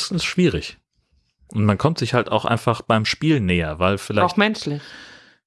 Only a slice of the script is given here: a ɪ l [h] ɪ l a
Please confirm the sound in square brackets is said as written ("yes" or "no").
no